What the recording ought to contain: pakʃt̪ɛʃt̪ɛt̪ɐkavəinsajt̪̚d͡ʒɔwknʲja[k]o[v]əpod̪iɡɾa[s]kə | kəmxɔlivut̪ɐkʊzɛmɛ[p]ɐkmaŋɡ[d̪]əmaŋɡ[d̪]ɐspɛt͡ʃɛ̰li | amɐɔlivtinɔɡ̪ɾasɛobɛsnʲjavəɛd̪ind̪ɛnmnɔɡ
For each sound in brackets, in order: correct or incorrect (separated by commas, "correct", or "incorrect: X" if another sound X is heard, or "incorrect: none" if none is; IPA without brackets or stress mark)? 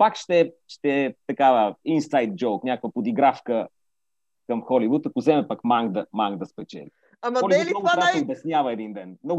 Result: correct, correct, incorrect: f, correct, correct, correct